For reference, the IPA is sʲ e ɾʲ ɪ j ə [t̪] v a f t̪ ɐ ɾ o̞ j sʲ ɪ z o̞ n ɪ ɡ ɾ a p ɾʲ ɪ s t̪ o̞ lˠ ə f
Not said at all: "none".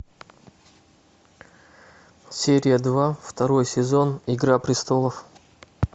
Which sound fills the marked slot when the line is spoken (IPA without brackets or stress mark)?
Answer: d̪